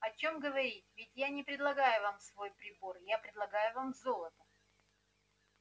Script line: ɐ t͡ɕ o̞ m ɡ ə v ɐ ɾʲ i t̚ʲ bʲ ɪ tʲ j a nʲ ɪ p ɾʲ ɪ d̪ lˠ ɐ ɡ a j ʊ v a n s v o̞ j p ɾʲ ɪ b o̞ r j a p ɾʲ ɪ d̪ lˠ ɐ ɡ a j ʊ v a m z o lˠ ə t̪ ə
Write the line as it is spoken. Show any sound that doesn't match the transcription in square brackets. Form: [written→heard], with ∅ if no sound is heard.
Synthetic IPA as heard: ɐ t͡ɕ o̞ m ɡ ə v ɐ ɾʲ i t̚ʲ [bʲ→vʲ] ɪ tʲ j a nʲ ɪ p ɾʲ ɪ d̪ lˠ ɐ ɡ a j ʊ v a [n→m] s v o̞ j p ɾʲ ɪ b o̞ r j a p ɾʲ ɪ d̪ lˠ ɐ ɡ a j ʊ v a m z o lˠ ə t̪ ə